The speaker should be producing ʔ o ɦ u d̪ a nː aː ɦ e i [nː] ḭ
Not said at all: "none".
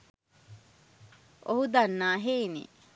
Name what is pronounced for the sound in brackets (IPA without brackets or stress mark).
n